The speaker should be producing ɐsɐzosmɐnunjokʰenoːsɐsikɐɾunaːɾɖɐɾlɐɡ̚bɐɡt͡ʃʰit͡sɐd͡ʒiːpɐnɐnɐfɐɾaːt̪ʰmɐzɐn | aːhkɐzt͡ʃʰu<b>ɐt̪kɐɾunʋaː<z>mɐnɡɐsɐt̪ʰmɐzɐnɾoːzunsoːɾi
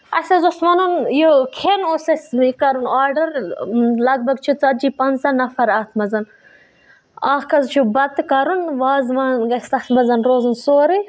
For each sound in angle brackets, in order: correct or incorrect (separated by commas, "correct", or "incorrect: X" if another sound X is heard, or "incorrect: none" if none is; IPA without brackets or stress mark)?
correct, correct